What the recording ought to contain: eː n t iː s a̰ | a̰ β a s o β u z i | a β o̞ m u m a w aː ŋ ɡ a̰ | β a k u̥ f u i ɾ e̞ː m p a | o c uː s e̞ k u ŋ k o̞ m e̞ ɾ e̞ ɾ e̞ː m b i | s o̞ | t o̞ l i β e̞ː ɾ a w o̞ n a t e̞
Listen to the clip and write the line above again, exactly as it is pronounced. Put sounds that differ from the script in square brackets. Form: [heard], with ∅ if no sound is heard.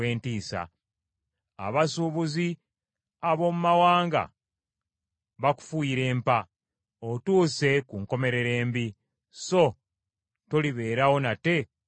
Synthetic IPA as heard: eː n t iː s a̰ | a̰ β a s [u] β u z i | a β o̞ m u m a w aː ŋ ɡ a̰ | β a k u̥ f u i ɾ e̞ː m p a | o [t] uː s e̞ k u ŋ k o̞ m e̞ ɾ e̞ ɾ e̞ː m b i | s o̞ | t o̞ l i β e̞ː ɾ a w o̞ n a t e̞